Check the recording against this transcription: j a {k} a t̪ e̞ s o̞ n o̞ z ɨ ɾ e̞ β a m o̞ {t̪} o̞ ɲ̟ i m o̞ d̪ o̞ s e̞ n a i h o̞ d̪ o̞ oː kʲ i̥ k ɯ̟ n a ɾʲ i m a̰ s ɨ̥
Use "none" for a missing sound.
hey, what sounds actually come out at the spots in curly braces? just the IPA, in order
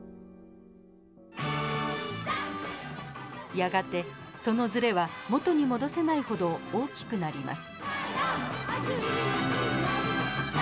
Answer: ɡ, t̪

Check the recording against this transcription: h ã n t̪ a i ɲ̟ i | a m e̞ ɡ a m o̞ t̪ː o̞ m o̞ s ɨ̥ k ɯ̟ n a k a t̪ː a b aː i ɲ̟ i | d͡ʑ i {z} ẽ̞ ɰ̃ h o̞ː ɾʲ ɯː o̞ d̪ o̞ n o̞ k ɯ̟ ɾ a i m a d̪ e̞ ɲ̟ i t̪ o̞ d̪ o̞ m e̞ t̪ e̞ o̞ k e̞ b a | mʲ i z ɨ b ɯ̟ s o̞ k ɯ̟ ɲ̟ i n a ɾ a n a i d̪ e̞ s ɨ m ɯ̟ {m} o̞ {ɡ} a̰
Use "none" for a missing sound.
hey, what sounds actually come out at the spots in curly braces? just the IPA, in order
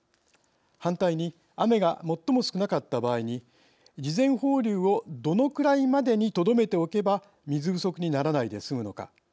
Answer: z, n, k

